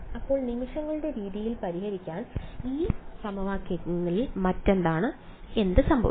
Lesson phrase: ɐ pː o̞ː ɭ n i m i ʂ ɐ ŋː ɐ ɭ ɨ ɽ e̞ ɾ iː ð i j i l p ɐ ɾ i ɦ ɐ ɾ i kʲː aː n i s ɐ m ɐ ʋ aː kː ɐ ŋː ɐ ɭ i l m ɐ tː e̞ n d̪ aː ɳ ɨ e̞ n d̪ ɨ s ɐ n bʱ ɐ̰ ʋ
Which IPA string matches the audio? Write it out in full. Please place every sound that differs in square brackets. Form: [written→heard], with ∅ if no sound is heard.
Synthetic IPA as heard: ɐ pː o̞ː ɭ n i m i ʂ ɐ ŋː ɐ ɭ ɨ ɽ e̞ ɾ iː ð i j i l p ɐ ɾ i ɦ ɐ ɾ i kʲː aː n [i→iː] s ɐ m ɐ ʋ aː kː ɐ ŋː ɐ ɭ i l m ɐ tː e̞ n d̪ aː ɳ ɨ e̞ n d̪ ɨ s ɐ [n→m] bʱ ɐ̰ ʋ